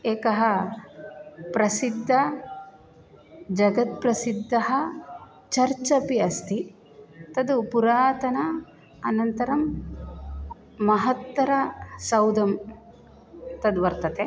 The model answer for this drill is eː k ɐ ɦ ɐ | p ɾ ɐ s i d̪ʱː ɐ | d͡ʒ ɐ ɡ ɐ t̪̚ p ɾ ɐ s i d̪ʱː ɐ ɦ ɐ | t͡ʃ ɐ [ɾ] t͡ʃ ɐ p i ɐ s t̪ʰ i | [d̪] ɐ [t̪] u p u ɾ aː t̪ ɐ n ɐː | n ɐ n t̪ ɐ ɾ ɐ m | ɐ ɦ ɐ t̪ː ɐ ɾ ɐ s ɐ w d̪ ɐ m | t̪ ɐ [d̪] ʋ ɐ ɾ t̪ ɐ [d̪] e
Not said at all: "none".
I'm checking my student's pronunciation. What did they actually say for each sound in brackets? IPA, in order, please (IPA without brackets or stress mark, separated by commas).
ɾ, t̪, d̪, d̪, t̪